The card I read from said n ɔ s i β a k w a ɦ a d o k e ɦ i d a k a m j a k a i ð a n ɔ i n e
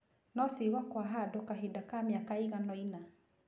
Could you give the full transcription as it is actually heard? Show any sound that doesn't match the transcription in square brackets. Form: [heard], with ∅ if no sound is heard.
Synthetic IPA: n ɔ s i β a k w a ɦ a d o k [a] ɦ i d a k a m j a k a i [ɣ] a n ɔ i n [a]